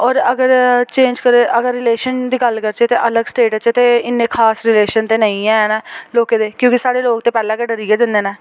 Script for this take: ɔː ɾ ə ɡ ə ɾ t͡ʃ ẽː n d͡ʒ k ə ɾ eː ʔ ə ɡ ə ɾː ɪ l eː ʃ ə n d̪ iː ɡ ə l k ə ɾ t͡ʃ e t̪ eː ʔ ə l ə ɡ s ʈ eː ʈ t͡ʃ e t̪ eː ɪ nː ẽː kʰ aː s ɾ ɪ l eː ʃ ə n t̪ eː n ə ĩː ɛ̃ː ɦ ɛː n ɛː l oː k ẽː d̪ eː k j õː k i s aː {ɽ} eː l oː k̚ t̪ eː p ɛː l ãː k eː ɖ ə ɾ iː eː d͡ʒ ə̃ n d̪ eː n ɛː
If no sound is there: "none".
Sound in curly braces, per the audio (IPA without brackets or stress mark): ɽ